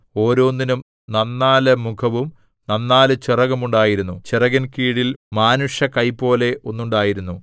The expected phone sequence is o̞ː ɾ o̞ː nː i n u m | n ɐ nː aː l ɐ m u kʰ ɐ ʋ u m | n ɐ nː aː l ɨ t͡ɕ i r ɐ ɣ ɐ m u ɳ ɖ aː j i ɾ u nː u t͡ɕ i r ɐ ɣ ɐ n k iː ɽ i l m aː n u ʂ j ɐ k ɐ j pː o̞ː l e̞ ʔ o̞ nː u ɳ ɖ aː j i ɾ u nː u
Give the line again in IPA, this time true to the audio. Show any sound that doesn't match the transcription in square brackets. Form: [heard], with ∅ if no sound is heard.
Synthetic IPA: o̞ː ɾ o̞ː nː i n u m | n ɐ nː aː l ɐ m u kʰ ɐ ʋ u m | n ɐ nː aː l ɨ t͡ɕ i r ɐ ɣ ɐ m u ɳ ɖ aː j i ɾ u nː u t͡ɕ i r ɐ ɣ ɐ n k iː ɽ i l m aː n u ʂ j ɐ k ɐ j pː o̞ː l e̞ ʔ o̞ nː u ɳ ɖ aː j i ɾ u nː u

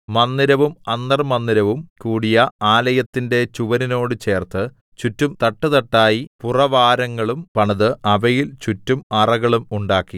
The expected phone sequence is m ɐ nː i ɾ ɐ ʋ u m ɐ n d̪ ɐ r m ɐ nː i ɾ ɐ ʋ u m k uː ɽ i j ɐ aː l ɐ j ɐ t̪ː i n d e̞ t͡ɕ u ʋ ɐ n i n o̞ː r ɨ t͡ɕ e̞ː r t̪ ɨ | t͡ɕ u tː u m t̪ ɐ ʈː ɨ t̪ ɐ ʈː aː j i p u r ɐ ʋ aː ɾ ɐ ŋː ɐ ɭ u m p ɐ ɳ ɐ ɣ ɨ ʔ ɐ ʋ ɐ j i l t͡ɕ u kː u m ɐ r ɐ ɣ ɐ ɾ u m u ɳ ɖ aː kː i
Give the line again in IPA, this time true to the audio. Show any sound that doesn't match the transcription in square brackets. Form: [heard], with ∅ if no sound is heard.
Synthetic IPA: m ɐ nː i ɾ ɐ ʋ u m ɐ n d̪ ɐ r m ɐ nː i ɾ ɐ ʋ u m k uː ɽ i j ɐ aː l ɐ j ɐ t̪ː i n d e̞ t͡ɕ u ʋ ɐ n i n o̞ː [ɽ] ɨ t͡ɕ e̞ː r t̪ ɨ | t͡ɕ u tː u m t̪ ɐ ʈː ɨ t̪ ɐ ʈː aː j i p u r ɐ ʋ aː ɾ ɐ ŋː ɐ ɭ u m p ɐ ɳ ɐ [ð] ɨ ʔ ɐ ʋ ɐ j i l t͡ɕ u [tː] u m ɐ r ɐ ɣ ɐ [ɭ] u m u ɳ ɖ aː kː i

